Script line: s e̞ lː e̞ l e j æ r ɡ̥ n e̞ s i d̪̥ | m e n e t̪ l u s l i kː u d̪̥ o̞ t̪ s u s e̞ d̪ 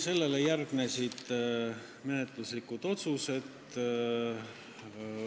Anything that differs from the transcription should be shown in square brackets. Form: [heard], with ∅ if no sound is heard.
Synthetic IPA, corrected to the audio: s e̞ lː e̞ l e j æ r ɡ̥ n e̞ s i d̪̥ | m e n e t̪ l u s l i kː u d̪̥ o̞ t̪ s u s e̞ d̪